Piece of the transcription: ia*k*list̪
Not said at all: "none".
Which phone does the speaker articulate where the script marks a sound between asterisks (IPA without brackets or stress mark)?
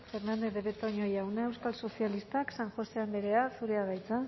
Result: none